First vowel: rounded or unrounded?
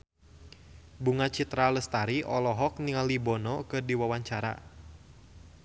rounded